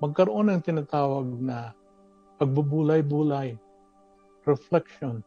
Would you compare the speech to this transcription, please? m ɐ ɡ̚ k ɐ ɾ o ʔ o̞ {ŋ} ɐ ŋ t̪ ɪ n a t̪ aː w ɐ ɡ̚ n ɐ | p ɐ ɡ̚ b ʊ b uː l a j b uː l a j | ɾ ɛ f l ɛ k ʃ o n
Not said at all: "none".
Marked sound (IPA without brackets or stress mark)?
n